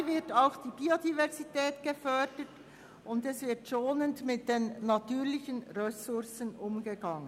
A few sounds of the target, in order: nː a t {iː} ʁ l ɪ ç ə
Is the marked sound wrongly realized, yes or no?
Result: yes